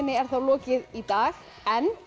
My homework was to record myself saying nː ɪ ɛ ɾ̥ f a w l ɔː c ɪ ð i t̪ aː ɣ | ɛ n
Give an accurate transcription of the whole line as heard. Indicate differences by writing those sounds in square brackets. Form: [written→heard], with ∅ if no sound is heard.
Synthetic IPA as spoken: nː ɪ ɛ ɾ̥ [f→θ] a w l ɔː c ɪ ð i t̪ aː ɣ | ɛ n